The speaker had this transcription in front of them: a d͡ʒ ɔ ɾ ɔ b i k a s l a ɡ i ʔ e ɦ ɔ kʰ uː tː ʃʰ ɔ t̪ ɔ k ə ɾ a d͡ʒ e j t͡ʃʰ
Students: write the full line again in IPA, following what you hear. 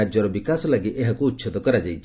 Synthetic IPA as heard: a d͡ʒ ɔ ɾ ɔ b i k a s l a ɡ i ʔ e ɦ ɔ k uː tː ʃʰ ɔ t̪ ɔ k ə ɾ a d͡ʒ a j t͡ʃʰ